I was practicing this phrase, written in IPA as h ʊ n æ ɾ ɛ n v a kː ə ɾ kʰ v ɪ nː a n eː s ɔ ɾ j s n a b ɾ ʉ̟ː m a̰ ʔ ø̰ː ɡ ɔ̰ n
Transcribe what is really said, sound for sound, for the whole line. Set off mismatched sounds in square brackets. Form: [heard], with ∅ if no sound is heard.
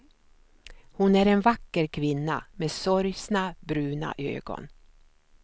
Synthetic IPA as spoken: h ʊ n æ ɾ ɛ n v a kː ə ɾ kʰ v ɪ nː a [m] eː s ɔ ɾ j s n a b ɾ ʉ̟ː [n] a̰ ʔ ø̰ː ɡ ɔ̰ n